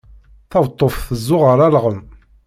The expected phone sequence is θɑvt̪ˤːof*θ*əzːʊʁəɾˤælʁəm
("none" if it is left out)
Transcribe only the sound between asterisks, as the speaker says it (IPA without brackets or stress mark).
θ